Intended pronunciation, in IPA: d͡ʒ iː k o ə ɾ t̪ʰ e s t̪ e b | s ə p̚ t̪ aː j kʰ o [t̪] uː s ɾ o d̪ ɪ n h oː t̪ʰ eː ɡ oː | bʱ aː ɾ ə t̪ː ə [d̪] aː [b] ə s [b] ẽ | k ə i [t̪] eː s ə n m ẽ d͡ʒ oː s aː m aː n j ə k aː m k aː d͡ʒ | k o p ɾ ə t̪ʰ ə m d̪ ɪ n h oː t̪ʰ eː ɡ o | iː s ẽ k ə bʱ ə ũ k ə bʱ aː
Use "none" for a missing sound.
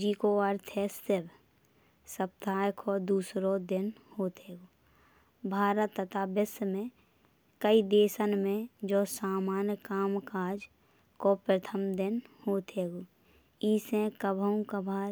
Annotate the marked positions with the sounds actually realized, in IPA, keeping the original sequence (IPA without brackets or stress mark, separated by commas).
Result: d̪, t̪, b, m, d̪